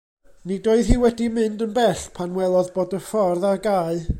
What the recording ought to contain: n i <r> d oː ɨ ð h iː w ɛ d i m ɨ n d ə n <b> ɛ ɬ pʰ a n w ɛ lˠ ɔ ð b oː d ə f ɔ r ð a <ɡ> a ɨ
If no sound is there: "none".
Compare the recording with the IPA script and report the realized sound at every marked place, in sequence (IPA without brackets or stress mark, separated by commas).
none, b, ɡ